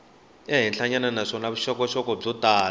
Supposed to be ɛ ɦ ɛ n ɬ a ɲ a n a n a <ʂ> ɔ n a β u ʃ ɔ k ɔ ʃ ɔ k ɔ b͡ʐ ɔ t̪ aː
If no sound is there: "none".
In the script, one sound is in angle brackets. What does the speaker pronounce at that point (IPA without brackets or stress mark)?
ʂ